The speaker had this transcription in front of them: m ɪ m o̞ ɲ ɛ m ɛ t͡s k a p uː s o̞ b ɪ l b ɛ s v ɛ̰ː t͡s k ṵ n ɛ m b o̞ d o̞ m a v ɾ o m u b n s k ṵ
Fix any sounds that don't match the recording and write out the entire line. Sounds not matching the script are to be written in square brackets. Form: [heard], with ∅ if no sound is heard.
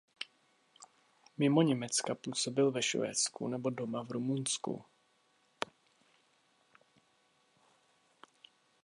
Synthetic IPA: m ɪ m o̞ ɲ ɛ m ɛ t͡s k a p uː s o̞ b ɪ l [v] ɛ [ʃ] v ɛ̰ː t͡s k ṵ n ɛ [∅] b o̞ d o̞ m a v ɾ [u] m u [∅] n s k ṵ